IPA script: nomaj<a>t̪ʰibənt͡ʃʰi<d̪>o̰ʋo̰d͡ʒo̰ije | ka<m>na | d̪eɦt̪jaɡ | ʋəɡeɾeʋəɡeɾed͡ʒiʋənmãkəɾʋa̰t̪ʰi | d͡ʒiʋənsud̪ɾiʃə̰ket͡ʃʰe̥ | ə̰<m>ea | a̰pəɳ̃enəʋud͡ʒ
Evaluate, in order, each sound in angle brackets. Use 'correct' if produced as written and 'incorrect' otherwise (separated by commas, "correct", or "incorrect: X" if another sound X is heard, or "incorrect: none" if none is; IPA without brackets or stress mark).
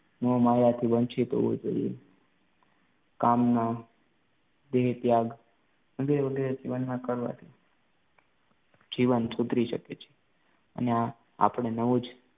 correct, incorrect: t̪, correct, incorrect: n